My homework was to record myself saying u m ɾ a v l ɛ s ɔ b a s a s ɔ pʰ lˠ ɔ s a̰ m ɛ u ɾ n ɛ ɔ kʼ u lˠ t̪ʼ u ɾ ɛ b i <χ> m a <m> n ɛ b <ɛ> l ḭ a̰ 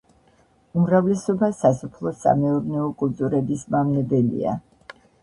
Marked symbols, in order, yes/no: no, yes, yes

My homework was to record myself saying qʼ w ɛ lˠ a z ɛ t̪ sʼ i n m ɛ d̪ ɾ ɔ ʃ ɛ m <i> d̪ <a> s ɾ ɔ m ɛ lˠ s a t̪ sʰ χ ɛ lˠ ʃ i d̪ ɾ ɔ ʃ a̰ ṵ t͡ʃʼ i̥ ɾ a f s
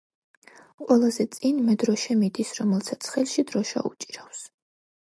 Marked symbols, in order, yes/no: yes, no

